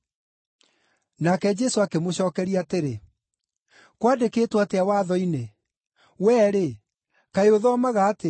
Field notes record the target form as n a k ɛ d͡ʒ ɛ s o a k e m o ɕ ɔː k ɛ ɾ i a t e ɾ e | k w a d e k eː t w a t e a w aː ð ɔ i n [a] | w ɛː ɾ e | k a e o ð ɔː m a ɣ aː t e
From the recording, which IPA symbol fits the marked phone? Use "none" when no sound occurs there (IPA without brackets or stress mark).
e